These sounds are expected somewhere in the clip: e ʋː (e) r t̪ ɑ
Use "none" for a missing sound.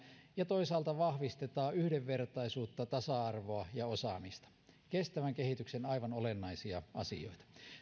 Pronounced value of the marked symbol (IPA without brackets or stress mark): e